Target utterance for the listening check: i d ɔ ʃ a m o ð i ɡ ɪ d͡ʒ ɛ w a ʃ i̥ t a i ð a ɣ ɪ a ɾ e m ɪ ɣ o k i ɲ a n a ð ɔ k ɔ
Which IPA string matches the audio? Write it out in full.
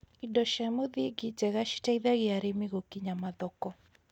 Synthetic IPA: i d ɔ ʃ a m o ð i ɡ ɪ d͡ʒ ɛ ɣ a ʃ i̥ t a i ð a ɣ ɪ a ɾ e m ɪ ɣ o k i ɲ a m a ð ɔ k ɔ